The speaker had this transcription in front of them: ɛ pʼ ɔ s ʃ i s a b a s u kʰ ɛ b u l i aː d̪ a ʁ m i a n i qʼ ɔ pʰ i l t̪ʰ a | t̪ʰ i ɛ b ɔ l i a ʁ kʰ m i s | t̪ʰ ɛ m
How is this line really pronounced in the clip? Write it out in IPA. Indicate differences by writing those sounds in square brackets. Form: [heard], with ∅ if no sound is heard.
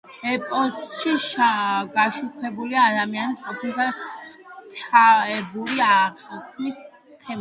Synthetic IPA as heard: ɛ pʼ ɔ s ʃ i [ʃ] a [ɡ] a [ʃ] u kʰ ɛ b u l i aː d̪ a [∅] m i a n i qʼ ɔ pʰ i l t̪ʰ a | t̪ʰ [a] ɛ b [u] l i a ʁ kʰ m i s | t̪ʰ ɛ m